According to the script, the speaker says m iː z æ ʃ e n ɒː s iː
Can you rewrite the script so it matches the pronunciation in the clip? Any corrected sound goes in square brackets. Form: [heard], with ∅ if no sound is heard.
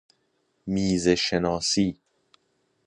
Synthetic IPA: m iː z [e] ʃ e n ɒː s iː